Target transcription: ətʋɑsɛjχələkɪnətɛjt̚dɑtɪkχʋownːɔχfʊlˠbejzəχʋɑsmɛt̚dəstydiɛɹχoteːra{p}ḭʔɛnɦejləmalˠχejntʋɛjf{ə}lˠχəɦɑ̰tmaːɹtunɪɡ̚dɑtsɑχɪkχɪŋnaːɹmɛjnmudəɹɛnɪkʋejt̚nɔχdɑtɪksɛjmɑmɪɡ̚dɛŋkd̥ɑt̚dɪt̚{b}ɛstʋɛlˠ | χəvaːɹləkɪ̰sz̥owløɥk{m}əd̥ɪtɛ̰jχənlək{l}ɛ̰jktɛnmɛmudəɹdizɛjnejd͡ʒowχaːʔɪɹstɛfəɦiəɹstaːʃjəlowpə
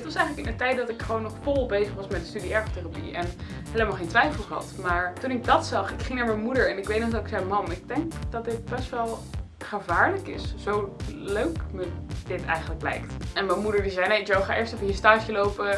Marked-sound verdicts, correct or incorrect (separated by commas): correct, correct, correct, correct, correct